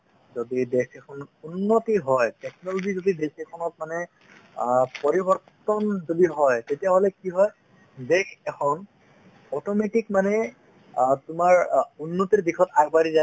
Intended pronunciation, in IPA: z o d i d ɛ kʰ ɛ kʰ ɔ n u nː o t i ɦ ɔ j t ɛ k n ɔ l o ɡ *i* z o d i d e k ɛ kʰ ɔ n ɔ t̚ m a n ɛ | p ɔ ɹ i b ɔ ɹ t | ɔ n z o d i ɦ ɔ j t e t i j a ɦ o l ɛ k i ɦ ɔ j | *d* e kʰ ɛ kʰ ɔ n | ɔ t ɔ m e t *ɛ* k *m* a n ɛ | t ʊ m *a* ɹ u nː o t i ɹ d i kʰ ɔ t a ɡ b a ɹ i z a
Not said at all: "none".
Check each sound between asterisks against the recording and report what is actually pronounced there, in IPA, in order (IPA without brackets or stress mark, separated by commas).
i, d, i, m, a